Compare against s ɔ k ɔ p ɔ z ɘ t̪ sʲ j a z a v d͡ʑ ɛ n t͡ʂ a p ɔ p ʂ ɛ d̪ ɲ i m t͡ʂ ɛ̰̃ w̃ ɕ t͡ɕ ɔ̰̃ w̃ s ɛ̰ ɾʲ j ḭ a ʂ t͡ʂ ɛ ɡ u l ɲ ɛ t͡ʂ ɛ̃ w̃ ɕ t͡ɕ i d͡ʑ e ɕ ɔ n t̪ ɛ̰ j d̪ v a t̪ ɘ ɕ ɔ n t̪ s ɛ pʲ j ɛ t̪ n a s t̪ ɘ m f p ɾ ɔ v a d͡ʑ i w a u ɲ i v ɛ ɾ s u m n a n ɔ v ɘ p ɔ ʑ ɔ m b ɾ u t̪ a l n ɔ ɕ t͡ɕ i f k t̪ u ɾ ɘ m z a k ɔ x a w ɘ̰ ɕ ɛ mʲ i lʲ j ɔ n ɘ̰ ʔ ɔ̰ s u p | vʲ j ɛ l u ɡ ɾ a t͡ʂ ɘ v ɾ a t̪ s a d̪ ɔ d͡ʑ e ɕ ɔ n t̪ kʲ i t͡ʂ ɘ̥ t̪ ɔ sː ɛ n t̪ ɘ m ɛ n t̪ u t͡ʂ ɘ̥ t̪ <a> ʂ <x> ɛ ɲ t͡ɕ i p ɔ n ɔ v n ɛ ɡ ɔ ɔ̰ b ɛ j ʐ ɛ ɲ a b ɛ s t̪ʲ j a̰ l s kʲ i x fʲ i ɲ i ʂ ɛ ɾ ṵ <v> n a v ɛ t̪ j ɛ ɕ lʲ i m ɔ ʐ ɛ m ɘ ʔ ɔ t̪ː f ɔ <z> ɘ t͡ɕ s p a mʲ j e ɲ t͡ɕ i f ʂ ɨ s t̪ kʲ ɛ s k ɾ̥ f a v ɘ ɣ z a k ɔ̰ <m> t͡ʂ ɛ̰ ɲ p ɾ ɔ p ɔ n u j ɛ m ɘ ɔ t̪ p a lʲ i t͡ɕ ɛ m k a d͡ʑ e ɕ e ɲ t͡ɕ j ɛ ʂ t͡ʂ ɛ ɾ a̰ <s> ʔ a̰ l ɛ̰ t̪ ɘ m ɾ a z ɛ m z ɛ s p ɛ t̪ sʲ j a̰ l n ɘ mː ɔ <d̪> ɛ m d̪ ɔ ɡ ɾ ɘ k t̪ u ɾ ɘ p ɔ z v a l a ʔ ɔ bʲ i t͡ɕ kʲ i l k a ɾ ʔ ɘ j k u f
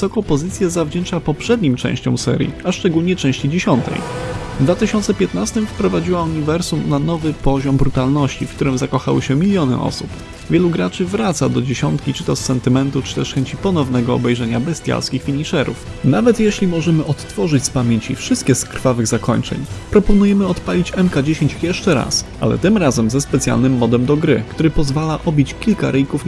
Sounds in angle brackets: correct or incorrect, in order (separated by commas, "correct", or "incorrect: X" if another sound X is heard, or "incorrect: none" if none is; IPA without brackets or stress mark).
incorrect: ɛ, correct, incorrect: f, incorrect: ʐ, incorrect: ɲ, correct, correct